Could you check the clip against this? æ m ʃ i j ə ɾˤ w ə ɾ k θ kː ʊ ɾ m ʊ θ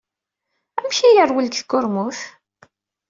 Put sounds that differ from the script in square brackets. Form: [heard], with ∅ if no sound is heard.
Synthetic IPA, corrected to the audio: æ m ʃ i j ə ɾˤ w ə [l] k θ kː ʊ ɾ m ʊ θ